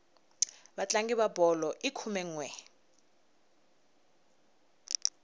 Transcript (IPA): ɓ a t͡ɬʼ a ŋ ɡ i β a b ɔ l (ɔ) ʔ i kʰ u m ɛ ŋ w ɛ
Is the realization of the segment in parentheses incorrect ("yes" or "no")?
no